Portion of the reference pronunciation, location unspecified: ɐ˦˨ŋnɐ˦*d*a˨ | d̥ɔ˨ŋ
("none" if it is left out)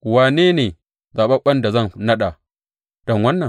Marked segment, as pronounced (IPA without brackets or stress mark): ɗ